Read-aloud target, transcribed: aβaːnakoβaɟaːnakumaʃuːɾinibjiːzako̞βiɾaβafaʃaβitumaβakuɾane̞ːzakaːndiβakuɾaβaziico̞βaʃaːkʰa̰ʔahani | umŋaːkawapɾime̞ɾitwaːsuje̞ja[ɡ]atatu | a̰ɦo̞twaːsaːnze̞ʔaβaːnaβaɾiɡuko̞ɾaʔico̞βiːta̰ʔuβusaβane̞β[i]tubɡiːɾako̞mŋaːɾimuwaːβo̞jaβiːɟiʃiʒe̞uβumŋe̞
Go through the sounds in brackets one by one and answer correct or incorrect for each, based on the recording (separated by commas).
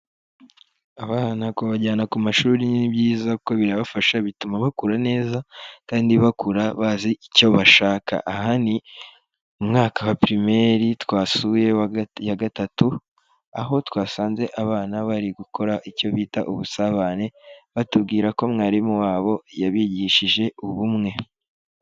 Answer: correct, incorrect